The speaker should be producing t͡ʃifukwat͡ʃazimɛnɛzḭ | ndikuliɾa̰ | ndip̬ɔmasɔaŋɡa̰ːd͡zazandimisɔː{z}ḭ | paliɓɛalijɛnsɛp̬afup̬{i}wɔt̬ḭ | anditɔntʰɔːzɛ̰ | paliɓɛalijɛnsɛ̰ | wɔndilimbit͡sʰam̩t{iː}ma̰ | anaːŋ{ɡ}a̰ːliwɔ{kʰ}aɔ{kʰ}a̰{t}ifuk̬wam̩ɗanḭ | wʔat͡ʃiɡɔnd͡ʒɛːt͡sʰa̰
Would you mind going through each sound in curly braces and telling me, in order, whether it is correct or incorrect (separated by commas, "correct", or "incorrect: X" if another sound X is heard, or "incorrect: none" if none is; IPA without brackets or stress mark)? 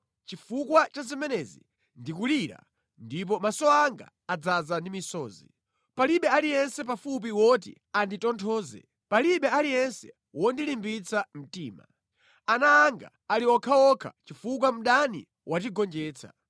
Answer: correct, correct, correct, correct, correct, correct, incorrect: t͡ʃ